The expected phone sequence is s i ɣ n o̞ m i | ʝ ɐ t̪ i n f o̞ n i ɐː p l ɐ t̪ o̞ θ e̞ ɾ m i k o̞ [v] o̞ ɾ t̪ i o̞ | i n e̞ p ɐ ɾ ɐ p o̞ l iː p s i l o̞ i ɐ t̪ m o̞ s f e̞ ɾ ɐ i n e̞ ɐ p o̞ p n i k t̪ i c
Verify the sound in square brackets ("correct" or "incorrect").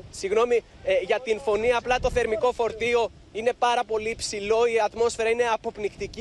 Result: incorrect